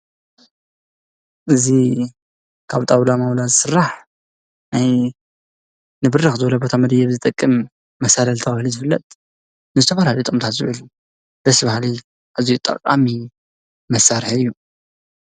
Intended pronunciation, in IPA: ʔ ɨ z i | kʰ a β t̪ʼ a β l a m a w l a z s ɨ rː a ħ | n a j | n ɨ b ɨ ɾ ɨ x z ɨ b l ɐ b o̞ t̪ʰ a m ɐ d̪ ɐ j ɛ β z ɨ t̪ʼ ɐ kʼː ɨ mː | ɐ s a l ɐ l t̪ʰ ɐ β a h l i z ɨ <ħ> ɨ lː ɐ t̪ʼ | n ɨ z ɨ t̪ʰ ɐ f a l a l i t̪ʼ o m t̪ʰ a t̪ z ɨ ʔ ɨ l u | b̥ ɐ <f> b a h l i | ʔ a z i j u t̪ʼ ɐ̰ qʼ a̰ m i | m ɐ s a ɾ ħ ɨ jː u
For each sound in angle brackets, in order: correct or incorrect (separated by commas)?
incorrect, incorrect